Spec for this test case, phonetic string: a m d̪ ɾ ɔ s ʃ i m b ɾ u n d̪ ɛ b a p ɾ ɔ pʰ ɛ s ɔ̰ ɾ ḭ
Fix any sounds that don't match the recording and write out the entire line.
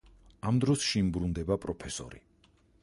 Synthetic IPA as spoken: a m d̪ ɾ ɔ s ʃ i m b ɾ u n d̪ ɛ b a pʼ ɾ ɔ pʰ ɛ s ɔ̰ ɾ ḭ